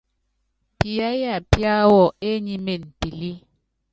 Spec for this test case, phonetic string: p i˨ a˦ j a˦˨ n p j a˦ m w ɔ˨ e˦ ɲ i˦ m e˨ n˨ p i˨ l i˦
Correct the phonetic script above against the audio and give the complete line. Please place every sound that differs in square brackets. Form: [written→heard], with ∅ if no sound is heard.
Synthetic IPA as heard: p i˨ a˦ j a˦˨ [n→∅] p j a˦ [m→∅] w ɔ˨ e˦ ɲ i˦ m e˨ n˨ p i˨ l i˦